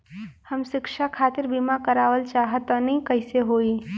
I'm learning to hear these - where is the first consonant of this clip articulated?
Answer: throat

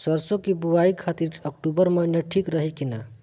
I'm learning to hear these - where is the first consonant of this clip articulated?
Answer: tongue tip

